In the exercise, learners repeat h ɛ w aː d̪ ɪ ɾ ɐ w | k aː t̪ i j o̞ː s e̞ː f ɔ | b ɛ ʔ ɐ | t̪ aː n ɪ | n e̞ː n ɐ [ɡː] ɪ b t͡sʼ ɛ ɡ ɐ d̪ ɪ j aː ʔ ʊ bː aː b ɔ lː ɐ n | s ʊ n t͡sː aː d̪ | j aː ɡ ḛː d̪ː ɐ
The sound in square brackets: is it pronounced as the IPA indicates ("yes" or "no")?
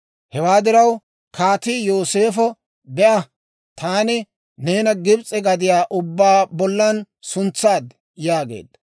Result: no